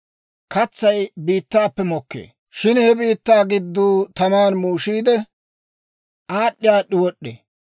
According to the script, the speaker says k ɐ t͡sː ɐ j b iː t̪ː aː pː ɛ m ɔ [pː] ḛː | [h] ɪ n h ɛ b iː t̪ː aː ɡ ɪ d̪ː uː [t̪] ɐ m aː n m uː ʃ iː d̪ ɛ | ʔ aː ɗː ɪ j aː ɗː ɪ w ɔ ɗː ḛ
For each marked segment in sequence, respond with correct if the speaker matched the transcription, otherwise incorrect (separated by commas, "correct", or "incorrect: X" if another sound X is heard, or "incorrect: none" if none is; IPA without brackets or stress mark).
incorrect: kː, incorrect: ʃ, correct